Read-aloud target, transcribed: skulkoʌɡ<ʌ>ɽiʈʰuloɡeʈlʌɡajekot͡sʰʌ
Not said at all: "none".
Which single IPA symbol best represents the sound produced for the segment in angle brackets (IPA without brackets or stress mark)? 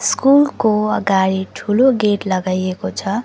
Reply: a